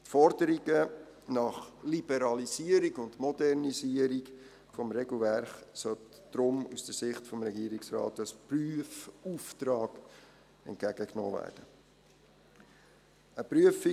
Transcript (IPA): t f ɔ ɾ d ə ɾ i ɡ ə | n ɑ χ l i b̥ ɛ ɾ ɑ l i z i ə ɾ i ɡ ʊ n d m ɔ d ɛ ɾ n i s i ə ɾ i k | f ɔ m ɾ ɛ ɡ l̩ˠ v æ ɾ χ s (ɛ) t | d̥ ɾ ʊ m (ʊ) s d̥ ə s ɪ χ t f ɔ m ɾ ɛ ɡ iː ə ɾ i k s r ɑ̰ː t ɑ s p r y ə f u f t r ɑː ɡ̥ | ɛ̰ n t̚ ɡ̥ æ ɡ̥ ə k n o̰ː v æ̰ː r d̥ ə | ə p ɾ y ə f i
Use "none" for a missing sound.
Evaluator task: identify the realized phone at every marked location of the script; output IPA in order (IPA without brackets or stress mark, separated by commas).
œ, u